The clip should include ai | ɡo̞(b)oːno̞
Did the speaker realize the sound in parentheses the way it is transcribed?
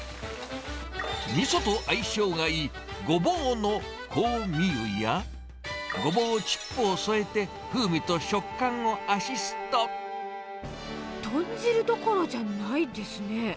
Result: yes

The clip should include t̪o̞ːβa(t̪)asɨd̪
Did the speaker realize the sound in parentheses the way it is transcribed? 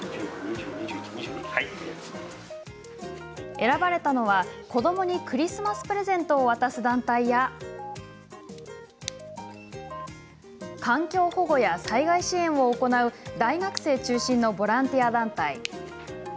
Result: yes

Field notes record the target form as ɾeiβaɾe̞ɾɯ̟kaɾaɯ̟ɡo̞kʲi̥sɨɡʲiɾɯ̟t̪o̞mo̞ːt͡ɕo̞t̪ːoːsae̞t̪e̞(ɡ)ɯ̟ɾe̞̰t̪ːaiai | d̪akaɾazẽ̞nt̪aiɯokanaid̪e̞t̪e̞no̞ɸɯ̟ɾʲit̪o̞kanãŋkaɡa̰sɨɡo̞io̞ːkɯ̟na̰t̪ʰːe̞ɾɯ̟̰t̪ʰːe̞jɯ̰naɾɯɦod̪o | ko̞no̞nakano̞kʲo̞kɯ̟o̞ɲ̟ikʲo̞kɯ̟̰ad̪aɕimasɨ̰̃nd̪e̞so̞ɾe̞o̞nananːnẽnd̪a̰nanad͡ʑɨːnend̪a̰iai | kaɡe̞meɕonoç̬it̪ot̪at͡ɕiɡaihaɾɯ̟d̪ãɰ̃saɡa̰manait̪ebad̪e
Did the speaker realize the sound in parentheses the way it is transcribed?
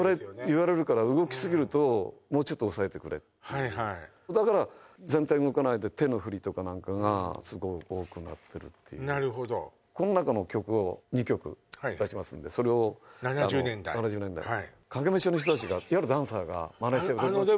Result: no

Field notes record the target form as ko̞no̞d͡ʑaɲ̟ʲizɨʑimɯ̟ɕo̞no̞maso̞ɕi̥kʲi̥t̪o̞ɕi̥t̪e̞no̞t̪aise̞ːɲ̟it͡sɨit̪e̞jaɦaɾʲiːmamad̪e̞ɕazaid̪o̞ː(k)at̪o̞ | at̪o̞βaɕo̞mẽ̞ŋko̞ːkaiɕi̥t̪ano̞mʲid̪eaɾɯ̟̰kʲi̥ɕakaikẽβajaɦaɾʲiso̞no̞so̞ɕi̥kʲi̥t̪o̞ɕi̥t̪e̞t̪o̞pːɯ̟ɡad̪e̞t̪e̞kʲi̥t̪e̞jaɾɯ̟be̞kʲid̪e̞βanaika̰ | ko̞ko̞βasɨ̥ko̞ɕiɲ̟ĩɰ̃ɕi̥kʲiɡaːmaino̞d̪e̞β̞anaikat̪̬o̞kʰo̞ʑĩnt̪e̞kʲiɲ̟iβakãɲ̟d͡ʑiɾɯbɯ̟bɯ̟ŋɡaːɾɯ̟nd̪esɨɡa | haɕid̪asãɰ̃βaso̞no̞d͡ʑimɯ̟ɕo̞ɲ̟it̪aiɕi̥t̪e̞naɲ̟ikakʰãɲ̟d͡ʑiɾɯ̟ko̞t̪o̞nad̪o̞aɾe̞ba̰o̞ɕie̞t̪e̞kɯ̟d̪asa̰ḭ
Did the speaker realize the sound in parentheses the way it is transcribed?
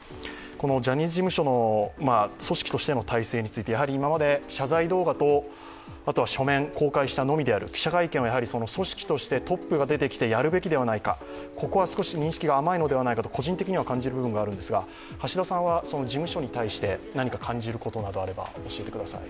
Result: no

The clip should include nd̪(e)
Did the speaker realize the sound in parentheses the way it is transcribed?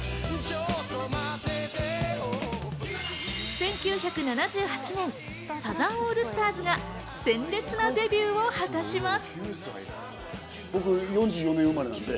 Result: yes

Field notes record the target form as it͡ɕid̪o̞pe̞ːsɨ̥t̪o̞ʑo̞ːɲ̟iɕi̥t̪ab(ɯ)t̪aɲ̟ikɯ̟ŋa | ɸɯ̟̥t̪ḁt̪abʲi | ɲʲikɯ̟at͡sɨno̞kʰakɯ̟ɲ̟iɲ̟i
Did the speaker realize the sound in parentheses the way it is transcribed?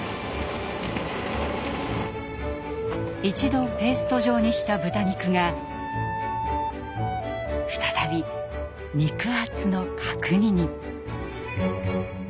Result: yes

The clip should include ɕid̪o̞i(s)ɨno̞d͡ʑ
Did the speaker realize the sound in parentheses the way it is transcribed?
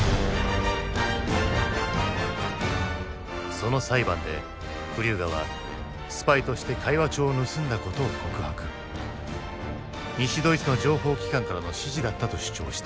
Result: no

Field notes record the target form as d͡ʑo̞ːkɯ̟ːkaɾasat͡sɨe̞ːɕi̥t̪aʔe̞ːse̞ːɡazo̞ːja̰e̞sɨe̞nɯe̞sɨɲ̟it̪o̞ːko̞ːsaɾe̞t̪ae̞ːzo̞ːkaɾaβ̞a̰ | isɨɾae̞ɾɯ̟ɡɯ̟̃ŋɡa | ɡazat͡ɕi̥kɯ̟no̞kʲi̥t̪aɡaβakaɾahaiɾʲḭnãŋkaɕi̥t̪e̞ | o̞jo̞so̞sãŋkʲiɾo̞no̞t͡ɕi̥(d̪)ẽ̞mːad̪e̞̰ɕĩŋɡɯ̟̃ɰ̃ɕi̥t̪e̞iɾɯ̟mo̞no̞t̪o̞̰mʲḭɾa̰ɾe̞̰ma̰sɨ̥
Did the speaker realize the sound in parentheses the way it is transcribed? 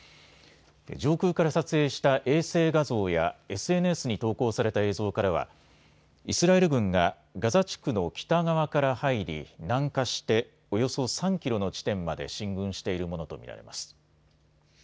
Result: no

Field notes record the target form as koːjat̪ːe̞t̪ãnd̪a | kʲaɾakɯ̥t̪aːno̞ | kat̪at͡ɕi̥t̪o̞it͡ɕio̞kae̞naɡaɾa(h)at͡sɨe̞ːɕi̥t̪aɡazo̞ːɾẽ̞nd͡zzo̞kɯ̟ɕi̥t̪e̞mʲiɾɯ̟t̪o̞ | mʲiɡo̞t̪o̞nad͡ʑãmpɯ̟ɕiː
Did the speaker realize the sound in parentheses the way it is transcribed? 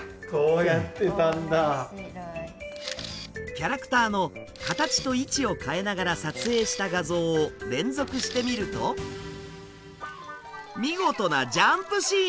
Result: no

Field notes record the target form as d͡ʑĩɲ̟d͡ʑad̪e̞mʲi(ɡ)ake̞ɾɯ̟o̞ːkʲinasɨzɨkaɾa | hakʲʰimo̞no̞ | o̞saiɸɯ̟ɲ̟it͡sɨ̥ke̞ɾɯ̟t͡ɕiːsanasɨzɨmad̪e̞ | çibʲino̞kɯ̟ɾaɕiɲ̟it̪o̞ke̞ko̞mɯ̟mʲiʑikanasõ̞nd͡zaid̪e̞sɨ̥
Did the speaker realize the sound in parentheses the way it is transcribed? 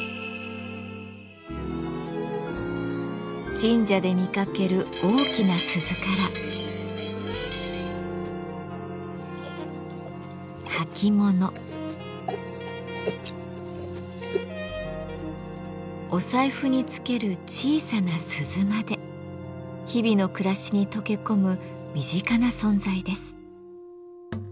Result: no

